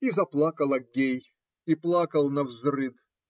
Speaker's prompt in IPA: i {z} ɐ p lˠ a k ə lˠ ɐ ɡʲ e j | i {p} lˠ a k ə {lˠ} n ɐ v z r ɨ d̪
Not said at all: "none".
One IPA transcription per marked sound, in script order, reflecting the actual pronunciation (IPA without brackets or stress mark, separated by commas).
z, p, lˠ